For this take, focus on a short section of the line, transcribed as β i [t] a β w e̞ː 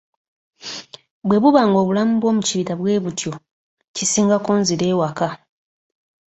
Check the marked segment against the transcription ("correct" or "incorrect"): correct